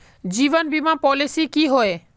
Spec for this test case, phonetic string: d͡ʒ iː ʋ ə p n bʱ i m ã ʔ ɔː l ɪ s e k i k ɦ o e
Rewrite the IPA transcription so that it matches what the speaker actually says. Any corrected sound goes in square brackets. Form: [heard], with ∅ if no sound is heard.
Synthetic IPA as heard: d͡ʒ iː ʋ ə [∅] n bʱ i m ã [p] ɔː l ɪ s [i] k i [∅] ɦ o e